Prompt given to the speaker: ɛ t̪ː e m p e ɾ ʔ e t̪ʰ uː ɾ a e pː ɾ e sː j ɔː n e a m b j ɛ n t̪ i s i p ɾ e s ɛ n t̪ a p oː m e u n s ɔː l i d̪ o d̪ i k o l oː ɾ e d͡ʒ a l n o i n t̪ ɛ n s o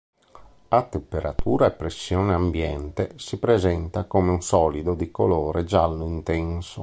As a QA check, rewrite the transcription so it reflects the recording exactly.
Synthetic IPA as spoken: a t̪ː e m p e ɾ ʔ a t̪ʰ uː ɾ a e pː ɾ e sː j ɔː n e a m b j ɛ n t̪ e s i p ɾ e z ɛ n t̪ a k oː m e u n s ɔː l i d̪ o d̪ i k o l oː ɾ e d͡ʒ a l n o i n t̪ ɛ n s o

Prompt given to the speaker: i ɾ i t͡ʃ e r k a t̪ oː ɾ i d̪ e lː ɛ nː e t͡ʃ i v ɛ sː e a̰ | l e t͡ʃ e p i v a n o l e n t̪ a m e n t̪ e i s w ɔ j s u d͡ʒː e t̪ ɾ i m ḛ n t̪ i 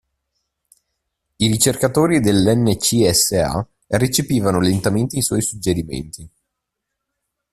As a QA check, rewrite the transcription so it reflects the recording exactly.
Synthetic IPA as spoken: i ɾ i t͡ʃ e r k a t̪ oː ɾ i d̪ e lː ɛ nː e t͡ʃ i ɛ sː e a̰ | r e t͡ʃ e p iː v a n o l e n t̪ a m e n t̪ e i s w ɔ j s u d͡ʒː e ɾ i m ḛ n t̪ i

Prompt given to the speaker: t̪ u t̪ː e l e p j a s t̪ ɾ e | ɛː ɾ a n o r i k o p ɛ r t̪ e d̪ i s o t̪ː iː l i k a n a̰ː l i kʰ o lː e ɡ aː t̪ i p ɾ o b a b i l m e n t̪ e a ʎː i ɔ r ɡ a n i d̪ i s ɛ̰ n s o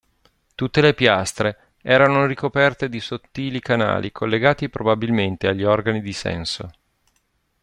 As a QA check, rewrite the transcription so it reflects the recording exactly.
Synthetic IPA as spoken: t̪ u t̪ː e l e p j a s t̪ ɾ e | ɛː ɾ a n o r i k o p ɛ r t̪ e d̪ i s o t̪ː iː l i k a n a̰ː l i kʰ o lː e ɡ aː t̪ i p ɾ o b a b i l m e n t̪ e a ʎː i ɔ r ɡ a n i d̪ i s ɛ̰ n s o

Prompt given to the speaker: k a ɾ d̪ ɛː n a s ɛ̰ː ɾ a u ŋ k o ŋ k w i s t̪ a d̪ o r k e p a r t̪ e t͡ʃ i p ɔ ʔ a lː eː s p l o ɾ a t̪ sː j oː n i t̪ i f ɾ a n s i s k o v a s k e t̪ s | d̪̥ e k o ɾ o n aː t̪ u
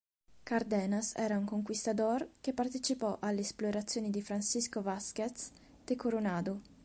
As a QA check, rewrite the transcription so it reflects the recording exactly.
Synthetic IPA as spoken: k a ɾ d̪ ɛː n a s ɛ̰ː ɾ a u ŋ k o ŋ k w i s t̪ a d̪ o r k e p a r t̪ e t͡ʃ i p ɔ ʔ a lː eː s p l o ɾ a t̪ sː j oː n i d̪ i f ɾ a n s i s k o v a s k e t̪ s | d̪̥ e k o ɾ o n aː d̪ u

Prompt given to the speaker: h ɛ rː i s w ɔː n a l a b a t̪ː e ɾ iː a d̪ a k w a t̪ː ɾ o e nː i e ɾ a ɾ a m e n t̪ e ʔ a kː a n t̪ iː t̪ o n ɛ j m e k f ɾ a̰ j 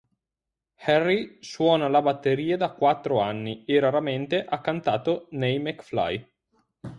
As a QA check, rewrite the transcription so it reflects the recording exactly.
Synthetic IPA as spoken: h ɛ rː i s w ɔː n a l a b a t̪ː e ɾ iː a d̪ a k w a t̪ː ɾ o a nː i e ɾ a ɾ a m e n t̪ e ʔ a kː a n t̪ aː t̪ o n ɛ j m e k f l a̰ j

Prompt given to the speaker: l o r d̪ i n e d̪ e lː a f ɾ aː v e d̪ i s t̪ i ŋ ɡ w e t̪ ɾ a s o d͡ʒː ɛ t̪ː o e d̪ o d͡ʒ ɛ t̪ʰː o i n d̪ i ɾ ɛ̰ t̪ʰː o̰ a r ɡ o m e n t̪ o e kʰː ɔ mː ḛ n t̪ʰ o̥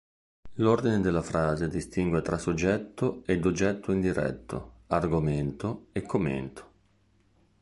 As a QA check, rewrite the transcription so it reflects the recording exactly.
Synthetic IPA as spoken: l o r d̪ i n e d̪ e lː a f ɾ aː z e d̪ i s t̪ i ŋ ɡ w e t̪ ɾ a s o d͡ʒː ɛ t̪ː o e d̪ o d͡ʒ ɛ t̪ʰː o i n d̪ i ɾ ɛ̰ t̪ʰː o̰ a r ɡ o m e n t̪ o e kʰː o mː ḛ n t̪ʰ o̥

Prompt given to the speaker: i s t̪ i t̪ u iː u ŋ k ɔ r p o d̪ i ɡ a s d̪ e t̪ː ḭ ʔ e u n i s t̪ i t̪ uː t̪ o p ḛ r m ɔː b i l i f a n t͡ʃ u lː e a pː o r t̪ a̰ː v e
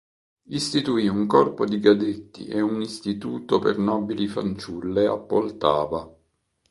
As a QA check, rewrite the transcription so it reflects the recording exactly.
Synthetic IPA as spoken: i s t̪ i t̪ u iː u ŋ k ɔ r p o d̪ i ɡ a d̪ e t̪ː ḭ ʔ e u n i s t̪ i t̪ uː t̪ o p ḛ r n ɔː b i l i f a n t͡ʃ u lː e a pː o l t̪ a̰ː v a

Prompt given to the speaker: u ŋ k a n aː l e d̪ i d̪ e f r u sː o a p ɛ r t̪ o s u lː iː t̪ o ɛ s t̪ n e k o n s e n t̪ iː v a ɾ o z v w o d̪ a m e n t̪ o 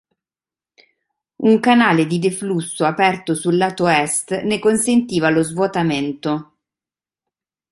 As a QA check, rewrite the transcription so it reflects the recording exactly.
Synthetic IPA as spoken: u ŋ k a n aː l e d̪ i d̪ e f l u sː o a p ɛ r t̪ o s u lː aː t̪ o ɛ s t̪ n e k o n s e n t̪ iː v a l o z v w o t̪ a m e n t̪ o

